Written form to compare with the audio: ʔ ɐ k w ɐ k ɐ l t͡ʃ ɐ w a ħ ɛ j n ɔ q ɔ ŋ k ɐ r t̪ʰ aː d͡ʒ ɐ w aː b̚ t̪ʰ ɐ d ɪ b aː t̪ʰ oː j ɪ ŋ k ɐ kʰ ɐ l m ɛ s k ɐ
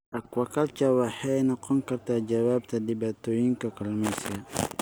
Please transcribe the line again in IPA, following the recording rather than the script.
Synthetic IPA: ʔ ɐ k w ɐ k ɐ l t͡ʃ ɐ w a ħ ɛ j n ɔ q ɔ ŋ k ɐ r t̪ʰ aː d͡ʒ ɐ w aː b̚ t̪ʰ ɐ d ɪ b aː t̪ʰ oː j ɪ ŋ k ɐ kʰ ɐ l m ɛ s k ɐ